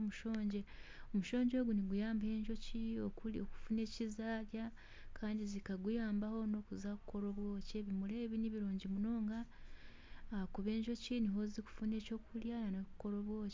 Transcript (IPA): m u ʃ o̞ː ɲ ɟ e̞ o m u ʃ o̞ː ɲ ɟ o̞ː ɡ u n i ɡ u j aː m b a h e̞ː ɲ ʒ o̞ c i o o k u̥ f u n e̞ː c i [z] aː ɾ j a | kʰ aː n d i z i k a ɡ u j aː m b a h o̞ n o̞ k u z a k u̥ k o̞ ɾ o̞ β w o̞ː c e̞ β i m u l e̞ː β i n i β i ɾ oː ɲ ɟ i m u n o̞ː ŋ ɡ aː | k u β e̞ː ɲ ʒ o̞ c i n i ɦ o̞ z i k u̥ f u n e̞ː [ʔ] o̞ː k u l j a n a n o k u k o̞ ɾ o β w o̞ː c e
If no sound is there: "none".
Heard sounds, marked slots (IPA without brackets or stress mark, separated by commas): z, c